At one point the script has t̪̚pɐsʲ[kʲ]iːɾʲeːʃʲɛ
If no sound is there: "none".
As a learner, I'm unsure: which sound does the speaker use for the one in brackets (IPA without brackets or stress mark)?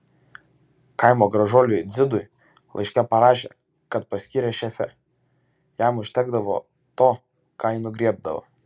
kʲ